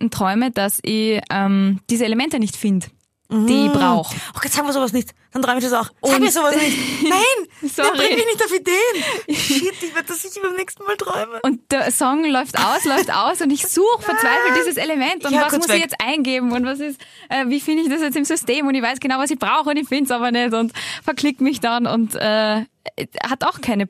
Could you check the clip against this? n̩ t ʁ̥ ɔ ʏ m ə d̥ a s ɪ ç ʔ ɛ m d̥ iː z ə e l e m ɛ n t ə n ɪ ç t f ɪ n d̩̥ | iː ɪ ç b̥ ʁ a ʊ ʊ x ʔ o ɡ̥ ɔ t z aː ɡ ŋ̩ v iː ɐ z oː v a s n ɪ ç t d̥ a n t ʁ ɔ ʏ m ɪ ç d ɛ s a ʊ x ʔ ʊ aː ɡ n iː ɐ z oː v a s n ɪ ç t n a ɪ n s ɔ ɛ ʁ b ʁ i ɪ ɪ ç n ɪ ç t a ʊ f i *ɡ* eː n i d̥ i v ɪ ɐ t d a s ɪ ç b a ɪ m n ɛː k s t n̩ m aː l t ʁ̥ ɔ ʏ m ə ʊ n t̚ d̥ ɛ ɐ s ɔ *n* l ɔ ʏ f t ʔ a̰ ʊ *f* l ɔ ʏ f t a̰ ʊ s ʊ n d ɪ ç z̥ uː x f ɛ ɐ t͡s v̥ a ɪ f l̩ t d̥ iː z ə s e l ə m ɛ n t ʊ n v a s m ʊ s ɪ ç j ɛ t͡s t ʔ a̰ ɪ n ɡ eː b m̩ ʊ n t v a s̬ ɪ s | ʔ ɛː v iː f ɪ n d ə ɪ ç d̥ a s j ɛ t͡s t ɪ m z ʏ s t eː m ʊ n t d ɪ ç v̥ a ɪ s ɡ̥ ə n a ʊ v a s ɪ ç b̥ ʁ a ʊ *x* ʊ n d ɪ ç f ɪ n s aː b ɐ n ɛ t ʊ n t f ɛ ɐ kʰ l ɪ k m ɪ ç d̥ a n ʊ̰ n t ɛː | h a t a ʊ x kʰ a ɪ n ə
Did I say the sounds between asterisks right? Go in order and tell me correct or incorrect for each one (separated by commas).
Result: incorrect, incorrect, incorrect, correct